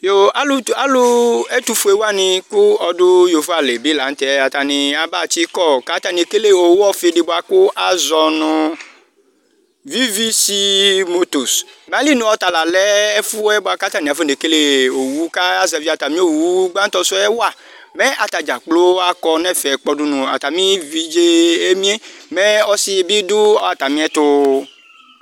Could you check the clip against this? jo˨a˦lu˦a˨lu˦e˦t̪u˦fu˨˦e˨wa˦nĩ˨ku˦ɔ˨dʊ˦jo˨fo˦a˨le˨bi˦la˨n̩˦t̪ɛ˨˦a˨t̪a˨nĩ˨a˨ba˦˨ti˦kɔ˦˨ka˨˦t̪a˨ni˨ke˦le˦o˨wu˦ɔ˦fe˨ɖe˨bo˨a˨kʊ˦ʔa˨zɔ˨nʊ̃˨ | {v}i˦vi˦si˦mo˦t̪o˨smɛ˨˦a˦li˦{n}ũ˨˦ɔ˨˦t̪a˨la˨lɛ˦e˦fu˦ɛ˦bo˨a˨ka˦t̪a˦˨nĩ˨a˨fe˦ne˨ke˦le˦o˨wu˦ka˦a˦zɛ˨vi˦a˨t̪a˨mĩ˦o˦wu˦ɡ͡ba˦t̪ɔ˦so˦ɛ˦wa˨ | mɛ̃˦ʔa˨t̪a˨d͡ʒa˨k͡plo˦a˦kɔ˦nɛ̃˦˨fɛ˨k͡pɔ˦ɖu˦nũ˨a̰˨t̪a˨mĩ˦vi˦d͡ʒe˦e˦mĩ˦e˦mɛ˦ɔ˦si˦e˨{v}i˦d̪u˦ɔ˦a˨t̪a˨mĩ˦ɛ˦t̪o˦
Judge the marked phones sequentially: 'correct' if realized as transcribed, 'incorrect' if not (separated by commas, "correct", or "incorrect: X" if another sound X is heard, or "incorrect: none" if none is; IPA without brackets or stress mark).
correct, correct, incorrect: b